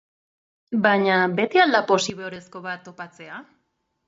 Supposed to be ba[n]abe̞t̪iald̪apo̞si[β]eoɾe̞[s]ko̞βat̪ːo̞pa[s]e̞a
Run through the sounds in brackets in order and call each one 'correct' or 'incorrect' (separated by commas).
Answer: incorrect, correct, correct, incorrect